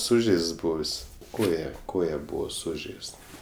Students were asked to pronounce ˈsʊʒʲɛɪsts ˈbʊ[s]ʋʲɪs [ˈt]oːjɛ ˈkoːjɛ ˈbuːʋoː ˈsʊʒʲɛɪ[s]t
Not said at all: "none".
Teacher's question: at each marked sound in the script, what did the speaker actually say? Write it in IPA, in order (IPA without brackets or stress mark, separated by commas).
none, k, s